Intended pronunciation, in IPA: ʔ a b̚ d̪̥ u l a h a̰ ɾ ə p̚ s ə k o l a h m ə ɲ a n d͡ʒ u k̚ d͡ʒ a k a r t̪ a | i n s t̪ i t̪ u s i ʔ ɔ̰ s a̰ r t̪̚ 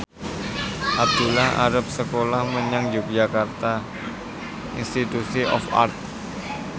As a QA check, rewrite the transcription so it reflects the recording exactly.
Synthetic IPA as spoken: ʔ a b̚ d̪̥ u l a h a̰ ɾ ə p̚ s ə k o l a h m ə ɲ a ŋ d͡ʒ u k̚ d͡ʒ a k a r t̪ a | i n s t̪ i t̪ u s i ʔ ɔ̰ f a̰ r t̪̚